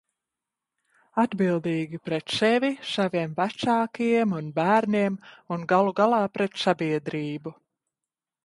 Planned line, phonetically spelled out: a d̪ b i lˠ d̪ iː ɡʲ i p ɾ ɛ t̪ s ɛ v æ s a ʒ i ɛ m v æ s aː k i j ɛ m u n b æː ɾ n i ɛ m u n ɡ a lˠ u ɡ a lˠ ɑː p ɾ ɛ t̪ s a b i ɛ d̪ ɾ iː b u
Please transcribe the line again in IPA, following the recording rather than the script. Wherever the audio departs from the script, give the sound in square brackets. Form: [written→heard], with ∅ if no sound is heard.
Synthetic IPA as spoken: a d̪ b i lˠ d̪ iː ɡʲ i p ɾ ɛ t̪ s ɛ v [æ→i] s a [ʒ→v] i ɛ m v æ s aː k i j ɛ m u n b æː ɾ n i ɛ m u n ɡ a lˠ u ɡ a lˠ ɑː p ɾ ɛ t̪ s a b i ɛ d̪ ɾ iː b u